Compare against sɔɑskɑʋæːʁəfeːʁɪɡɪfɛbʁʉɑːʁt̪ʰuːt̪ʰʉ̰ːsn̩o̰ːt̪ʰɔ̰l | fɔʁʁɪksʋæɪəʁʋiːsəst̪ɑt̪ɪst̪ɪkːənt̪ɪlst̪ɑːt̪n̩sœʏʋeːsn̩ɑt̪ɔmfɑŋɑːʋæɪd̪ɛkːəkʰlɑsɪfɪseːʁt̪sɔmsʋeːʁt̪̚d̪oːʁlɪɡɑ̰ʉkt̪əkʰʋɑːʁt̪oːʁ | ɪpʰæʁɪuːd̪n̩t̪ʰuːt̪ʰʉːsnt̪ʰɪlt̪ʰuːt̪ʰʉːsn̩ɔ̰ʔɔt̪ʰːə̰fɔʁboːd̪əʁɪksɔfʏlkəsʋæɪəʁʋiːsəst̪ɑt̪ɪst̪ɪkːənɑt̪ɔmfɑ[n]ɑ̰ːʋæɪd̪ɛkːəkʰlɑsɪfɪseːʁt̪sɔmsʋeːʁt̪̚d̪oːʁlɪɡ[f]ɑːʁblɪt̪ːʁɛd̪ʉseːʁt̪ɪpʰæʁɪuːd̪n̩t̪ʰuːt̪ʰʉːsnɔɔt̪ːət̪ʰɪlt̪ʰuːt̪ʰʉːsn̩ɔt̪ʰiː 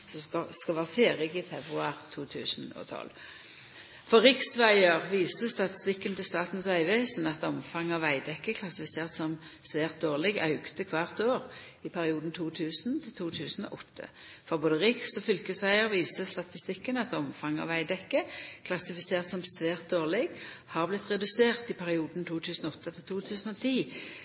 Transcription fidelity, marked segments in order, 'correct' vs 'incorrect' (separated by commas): incorrect, incorrect